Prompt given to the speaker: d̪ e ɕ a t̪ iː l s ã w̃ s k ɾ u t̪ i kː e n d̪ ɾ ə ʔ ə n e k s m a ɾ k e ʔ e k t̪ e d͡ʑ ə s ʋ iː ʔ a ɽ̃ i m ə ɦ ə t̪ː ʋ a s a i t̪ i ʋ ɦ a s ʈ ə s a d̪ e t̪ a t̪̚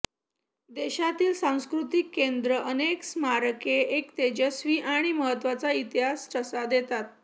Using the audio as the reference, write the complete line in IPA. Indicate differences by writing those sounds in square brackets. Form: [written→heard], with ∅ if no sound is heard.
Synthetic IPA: d̪ e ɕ a t̪ iː l s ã w̃ s k ɾ u t̪ i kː e n d̪ ɾ ə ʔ ə n e k s m a ɾ k e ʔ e k t̪ e d͡ʑ ə s ʋ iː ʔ a ɽ̃ i m ə ɦ ə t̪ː ʋ a [s→t͡s] a i t̪ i [ʋ→∅] ɦ a s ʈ ə s a d̪ e t̪ a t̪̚